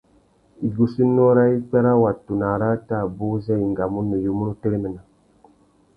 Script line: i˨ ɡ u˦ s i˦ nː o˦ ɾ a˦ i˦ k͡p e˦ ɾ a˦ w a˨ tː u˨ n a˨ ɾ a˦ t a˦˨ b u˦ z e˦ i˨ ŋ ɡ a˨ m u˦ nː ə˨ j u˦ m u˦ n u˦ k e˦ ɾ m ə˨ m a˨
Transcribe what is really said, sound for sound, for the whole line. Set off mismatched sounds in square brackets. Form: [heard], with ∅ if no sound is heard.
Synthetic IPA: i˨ ɡ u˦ s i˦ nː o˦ ɾ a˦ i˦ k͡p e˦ ɾ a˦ w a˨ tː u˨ n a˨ ɾ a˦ t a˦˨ b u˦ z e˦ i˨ ŋ ɡ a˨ m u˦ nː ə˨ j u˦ m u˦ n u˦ [t] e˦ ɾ m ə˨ [n] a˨